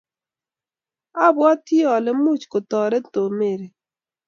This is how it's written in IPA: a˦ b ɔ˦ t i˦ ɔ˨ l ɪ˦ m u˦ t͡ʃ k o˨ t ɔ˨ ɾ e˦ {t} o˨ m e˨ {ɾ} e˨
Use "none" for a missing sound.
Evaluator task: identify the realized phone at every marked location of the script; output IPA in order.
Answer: t, ɾ

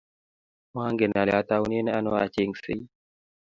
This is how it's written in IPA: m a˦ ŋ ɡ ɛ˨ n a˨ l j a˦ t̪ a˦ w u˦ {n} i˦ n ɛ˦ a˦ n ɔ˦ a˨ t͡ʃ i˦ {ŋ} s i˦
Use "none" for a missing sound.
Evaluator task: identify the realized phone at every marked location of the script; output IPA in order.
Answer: n, ŋ

